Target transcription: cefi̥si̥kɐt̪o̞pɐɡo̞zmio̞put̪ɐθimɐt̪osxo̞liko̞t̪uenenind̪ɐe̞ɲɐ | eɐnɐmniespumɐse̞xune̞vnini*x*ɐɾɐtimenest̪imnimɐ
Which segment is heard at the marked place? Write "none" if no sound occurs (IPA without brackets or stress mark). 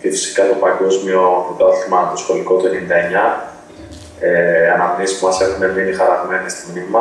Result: x